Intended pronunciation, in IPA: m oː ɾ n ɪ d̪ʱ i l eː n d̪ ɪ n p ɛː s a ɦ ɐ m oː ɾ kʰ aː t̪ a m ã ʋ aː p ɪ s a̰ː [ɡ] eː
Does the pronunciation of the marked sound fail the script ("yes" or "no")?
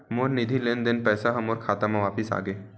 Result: no